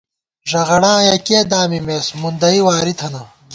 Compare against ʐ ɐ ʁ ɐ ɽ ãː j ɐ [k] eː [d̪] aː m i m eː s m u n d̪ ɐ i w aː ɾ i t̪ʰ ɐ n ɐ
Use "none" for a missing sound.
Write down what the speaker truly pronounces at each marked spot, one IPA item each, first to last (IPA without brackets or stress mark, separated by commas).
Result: k, d̪